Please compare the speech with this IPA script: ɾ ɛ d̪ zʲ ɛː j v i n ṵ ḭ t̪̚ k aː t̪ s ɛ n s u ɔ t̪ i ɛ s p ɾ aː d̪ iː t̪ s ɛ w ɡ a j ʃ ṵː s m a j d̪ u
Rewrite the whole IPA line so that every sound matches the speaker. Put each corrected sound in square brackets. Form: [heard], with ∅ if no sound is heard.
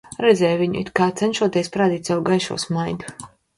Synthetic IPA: ɾ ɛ d̪ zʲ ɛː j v i [ɲ] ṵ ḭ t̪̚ k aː t̪ s ɛ n [ʃ] u ɔ t̪ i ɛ s p ɾ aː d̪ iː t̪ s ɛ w ɡ a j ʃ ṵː s m a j d̪ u